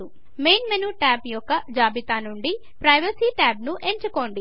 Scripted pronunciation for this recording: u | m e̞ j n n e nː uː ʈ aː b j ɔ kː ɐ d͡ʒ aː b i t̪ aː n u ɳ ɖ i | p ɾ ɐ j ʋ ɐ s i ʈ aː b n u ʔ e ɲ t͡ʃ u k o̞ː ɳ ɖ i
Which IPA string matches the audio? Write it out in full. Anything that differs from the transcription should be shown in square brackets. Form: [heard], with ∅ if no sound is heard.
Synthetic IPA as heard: u | m e̞ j n [m] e [n] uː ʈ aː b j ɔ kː ɐ d͡ʒ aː b i t̪ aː n u ɳ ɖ i | p ɾ ɐ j ʋ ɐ s i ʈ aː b n u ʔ e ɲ t͡ʃ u k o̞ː ɳ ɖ i